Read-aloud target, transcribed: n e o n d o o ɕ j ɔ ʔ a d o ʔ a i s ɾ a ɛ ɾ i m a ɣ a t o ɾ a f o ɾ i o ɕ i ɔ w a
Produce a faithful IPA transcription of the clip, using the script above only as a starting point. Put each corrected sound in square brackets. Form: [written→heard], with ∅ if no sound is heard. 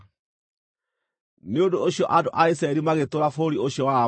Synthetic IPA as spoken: n e o n d o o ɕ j ɔ ʔ a d o ʔ a i s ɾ a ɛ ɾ i m a ɣ [a→e] t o ɾ a f o ɾ i o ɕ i ɔ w a

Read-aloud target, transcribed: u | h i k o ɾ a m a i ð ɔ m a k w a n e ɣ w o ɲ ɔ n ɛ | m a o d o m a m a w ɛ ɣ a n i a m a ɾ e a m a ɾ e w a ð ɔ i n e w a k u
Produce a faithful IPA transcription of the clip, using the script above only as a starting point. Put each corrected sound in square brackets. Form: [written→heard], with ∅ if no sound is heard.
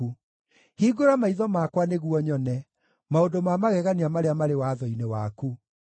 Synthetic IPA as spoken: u | h i [k→ɡ] o ɾ a m a i ð ɔ m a k w a n e ɣ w [o→ɔ] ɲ ɔ n ɛ | m a o d o m a m a [w→ɣ] ɛ ɣ a n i a m a ɾ e a m a ɾ e w a ð ɔ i n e w a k u

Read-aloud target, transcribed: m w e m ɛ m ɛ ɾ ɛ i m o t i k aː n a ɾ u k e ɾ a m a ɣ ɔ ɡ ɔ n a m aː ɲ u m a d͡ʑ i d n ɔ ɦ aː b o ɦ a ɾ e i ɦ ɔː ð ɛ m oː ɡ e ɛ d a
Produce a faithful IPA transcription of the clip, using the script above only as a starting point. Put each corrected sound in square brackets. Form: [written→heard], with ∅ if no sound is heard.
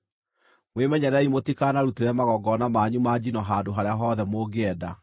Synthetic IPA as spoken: m w e m ɛ [m→ɲ] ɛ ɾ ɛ i m o t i k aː n a ɾ u [k→t] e ɾ [a→ɛ] m a ɣ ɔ ɡ ɔ n a m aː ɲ u m a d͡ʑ i [d→∅] n ɔ ɦ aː [b→d] o ɦ a ɾ e [i→a] ɦ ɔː ð ɛ m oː ɡ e ɛ d a

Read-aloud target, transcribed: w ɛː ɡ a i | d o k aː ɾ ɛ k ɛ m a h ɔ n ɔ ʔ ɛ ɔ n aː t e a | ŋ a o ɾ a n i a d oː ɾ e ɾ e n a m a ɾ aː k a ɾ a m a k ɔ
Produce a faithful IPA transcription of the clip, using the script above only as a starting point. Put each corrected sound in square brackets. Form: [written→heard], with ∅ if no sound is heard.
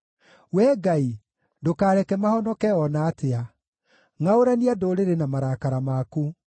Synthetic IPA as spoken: w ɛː ɡ a i | d o k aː ɾ ɛ k ɛ m a h ɔ n ɔ [ʔ→k] ɛ ɔ n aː t e a | ŋ a o ɾ a n i a d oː ɾ e ɾ e n a m a ɾ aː k a ɾ a m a k [ɔ→u]

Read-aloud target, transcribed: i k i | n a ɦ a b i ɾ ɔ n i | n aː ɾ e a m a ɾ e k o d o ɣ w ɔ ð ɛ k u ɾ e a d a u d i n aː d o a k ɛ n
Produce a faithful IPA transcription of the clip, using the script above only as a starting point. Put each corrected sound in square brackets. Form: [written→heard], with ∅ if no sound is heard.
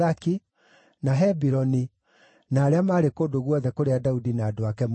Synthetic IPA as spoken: [i→a] k i | n a ɦ [a→ɛ] b i ɾ ɔ n i | n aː ɾ e a m a ɾ e k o d o ɣ w ɔ ð ɛ k [u→o] ɾ e a d a u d i n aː d o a k ɛ [n→m]

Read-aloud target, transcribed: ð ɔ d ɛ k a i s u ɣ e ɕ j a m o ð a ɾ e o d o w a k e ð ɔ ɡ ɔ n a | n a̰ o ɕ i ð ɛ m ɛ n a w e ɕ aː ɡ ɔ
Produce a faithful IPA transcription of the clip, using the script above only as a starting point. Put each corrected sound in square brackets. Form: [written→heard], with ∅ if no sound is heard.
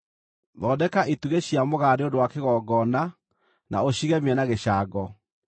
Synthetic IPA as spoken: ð ɔ d ɛ k a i [s→t] u ɣ e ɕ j a m o [ð→ɣ] a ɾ e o d o w a k e [ð→ɣ] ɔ ɡ ɔ n a | n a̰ o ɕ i [ð→ɣ] ɛ m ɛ n a [w→ɣ] e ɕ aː ɡ ɔ

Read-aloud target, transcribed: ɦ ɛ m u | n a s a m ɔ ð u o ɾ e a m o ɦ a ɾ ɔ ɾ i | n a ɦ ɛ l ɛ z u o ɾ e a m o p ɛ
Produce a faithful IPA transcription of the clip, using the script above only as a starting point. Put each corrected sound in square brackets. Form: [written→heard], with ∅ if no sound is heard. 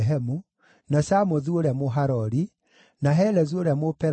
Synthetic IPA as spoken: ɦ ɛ m u | n a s a m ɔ ð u o ɾ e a m o ɦ a ɾ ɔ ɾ i | n a ɦ ɛ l ɛ z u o ɾ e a m o p ɛ

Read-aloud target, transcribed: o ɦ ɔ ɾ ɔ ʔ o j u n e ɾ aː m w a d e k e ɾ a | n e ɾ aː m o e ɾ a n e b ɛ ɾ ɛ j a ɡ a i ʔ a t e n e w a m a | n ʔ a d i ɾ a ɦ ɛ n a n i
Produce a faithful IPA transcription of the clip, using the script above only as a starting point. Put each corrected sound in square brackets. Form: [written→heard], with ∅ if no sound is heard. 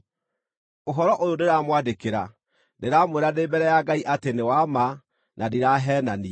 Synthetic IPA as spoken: o ɦ ɔ ɾ ɔ ʔ o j [u→o] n e ɾ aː m w a d e k e ɾ a | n e ɾ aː m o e ɾ a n e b ɛ ɾ ɛ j a ɡ a i ʔ a t e n e w a m a | n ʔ a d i ɾ a ɦ ɛ n a n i

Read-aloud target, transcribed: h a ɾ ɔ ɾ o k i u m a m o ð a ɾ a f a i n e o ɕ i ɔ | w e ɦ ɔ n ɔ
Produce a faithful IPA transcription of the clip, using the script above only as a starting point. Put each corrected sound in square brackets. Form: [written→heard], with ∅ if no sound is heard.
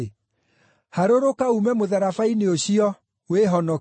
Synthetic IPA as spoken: h a ɾ [ɔ→o] ɾ o k [i→a] u m [a→ɛ] m o ð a ɾ a f a i n e o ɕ i ɔ | w e ɦ ɔ n ɔ

